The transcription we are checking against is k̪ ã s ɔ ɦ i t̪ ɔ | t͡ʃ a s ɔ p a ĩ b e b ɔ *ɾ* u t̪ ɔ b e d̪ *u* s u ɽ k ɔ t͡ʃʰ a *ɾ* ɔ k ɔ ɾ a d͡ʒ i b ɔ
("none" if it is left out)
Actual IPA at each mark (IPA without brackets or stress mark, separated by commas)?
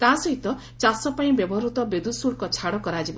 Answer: ɾ, u, ɽ